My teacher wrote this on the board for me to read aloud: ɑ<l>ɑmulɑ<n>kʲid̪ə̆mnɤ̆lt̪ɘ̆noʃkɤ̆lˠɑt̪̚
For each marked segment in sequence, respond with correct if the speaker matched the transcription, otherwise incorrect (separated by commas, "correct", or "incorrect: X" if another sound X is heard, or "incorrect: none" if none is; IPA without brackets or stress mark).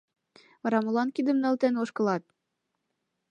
incorrect: ɾ, correct